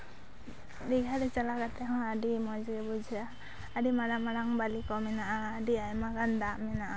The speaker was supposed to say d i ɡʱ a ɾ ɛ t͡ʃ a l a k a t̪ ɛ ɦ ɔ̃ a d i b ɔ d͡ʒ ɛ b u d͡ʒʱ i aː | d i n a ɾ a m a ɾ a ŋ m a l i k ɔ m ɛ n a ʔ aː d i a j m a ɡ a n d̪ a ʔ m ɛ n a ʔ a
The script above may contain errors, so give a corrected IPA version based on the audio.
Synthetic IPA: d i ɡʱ a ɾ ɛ t͡ʃ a l a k a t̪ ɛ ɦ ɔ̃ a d i m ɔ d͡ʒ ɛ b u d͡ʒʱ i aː | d i m a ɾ a m a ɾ a ŋ b a l i k ɔ m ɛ n a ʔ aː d i a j m a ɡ a n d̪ a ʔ m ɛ n a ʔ a